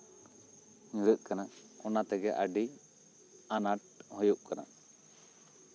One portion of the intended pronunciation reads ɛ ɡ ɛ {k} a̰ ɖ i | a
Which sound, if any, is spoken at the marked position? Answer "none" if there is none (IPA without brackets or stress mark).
ʔ